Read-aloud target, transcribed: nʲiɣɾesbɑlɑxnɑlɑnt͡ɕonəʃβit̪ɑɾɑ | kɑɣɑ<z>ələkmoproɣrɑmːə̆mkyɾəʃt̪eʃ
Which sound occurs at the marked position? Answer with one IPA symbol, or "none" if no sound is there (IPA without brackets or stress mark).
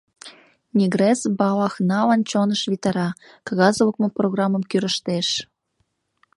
z